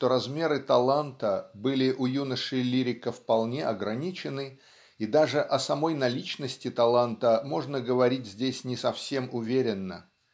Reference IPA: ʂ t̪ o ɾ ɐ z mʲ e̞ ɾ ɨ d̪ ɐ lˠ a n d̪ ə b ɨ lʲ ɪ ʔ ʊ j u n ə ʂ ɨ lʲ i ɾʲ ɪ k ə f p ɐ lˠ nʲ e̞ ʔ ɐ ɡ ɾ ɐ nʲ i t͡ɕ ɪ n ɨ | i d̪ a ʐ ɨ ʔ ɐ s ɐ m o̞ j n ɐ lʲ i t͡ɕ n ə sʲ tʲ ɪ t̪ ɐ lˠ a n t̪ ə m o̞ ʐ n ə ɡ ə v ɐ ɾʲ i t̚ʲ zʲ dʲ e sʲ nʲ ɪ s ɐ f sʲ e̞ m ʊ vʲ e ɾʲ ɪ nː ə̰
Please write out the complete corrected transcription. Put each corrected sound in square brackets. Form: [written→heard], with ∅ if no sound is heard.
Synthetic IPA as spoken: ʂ t̪ o ɾ ɐ z mʲ e̞ ɾ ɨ [d̪→t̪] ɐ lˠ a n [d̪→t̪] ə b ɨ lʲ ɪ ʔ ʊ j u n ə ʂ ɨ lʲ i ɾʲ ɪ k ə f p ɐ lˠ nʲ e̞ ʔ ɐ ɡ ɾ ɐ nʲ i t͡ɕ ɪ n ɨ | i d̪ a ʐ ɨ ʔ ɐ s ɐ m o̞ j n ɐ lʲ i t͡ɕ n ə sʲ tʲ ɪ t̪ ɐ lˠ a n t̪ ə m o̞ ʐ n ə ɡ ə v ɐ ɾʲ i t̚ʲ zʲ dʲ e sʲ nʲ ɪ s ɐ f sʲ e̞ m ʊ vʲ e ɾʲ ɪ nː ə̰